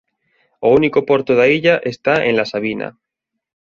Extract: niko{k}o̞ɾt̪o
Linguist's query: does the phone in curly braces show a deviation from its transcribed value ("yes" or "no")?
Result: yes